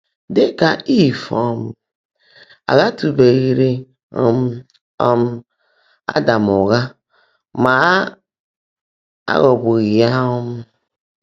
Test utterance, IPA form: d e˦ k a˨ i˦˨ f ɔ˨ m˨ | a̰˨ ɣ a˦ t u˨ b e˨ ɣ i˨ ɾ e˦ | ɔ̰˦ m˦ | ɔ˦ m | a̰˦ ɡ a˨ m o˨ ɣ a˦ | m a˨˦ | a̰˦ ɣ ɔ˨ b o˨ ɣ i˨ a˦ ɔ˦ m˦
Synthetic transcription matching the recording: d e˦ k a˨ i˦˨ f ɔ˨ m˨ | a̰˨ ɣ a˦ t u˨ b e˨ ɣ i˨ ɾ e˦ | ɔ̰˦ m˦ | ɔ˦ m | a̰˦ d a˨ m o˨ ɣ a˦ | m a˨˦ | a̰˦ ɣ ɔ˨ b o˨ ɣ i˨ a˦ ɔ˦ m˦